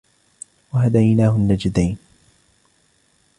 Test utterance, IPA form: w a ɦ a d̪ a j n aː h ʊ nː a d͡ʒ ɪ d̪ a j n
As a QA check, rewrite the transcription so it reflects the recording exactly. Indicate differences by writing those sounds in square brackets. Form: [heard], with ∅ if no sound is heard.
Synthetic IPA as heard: w a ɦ a d̪ a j n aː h ʊ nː a d͡ʒ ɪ d̪ a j n